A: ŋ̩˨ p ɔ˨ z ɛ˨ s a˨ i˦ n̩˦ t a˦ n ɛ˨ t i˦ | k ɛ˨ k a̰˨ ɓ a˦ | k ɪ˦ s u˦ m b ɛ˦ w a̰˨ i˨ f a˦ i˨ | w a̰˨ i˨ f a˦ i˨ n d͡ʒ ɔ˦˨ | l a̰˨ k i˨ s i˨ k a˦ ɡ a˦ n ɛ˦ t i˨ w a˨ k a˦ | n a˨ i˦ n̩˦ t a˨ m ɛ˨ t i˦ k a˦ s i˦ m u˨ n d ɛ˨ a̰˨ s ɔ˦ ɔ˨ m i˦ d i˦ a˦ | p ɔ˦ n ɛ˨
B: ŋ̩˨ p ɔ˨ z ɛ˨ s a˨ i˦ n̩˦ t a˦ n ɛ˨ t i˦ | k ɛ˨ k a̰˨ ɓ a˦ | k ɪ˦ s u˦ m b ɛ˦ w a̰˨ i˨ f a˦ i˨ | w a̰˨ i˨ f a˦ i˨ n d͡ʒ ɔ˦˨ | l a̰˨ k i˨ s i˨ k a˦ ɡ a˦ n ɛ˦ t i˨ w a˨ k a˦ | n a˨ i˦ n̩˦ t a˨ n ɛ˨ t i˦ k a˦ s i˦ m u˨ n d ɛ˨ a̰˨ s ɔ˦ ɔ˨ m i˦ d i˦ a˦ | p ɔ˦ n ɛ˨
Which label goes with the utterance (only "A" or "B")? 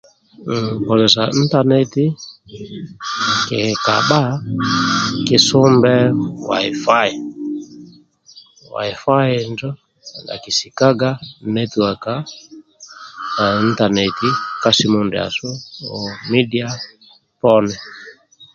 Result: B